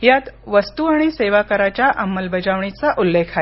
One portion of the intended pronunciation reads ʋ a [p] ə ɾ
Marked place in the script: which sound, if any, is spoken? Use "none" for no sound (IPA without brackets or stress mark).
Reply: k